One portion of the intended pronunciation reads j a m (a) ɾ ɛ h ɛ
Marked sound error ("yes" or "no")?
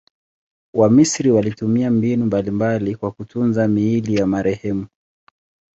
no